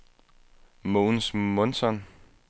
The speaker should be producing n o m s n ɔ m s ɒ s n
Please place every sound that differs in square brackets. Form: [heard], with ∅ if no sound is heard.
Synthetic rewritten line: [m] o [n] s [m] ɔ [n] s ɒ [∅] n